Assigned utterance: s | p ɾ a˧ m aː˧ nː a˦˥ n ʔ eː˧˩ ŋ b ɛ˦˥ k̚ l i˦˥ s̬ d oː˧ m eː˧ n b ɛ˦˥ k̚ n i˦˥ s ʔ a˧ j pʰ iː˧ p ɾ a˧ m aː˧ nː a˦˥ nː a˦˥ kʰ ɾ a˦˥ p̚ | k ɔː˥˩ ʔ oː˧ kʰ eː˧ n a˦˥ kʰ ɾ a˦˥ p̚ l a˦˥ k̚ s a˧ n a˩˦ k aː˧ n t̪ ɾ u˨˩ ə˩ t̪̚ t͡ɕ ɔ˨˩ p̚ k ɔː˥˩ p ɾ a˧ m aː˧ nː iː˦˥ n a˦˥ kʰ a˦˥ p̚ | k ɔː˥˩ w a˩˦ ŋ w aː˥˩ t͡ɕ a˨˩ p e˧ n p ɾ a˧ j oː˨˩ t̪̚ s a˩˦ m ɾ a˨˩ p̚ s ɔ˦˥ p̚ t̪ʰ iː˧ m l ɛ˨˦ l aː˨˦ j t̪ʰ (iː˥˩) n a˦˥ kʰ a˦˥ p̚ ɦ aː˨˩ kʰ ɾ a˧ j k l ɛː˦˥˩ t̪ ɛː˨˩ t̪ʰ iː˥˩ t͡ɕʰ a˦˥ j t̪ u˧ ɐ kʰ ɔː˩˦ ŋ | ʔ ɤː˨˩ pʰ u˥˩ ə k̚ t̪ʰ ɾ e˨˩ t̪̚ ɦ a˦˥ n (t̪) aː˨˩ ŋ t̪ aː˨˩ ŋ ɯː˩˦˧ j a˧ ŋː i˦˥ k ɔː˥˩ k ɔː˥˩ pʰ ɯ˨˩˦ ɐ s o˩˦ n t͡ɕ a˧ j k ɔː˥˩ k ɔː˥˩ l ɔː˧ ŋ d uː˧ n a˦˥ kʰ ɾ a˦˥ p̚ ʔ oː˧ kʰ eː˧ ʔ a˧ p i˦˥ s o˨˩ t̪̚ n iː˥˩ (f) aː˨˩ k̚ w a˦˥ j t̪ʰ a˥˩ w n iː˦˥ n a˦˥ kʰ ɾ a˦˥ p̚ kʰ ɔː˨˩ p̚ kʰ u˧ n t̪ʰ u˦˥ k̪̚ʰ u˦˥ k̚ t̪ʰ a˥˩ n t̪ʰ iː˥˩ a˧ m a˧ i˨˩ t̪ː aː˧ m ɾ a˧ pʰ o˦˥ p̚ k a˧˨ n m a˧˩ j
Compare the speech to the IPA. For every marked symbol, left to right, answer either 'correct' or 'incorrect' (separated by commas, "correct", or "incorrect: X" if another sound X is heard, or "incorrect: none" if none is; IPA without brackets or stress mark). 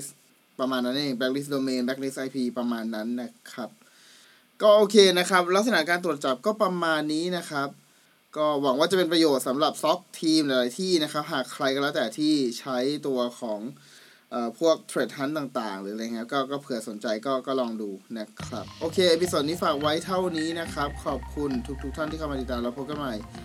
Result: correct, correct, correct